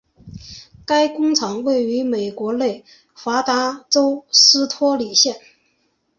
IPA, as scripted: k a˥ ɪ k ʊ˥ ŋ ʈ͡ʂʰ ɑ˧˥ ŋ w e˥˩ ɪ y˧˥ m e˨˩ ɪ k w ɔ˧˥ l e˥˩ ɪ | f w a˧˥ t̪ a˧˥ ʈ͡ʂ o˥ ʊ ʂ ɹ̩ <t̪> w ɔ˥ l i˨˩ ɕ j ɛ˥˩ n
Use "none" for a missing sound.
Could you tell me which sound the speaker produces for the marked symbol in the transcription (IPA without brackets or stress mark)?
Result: t̪ʰ